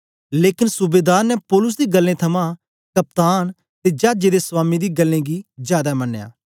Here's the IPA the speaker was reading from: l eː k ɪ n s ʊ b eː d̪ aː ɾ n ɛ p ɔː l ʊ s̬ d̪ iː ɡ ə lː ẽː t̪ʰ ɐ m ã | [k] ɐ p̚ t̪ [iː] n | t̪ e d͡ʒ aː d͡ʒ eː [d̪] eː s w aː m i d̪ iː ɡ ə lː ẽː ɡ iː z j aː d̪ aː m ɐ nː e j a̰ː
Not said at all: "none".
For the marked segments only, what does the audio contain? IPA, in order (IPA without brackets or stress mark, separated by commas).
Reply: k, aː, d̪